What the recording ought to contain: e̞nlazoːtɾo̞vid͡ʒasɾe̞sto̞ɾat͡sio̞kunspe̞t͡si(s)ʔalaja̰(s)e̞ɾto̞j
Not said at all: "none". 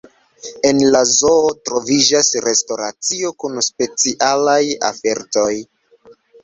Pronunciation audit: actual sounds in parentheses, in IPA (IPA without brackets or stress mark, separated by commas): none, f